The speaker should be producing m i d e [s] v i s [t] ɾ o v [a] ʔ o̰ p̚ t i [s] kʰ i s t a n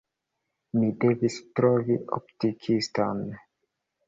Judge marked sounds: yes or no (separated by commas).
no, yes, no, no